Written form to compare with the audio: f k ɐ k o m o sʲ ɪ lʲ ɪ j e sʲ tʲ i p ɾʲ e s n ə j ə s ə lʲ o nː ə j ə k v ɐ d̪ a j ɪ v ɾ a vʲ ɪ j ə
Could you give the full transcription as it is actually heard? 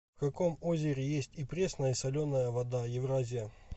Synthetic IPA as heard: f k ɐ k o m o zʲ ɪ ɾʲ ɪ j e sʲ tʲ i p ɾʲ e s n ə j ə s ɐ lʲ o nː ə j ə v ɐ d̪ a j ɪ v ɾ a zʲ ɪ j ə